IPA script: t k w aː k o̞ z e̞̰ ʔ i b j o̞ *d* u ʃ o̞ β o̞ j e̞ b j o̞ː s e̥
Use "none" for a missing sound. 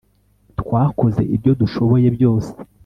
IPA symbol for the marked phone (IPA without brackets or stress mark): d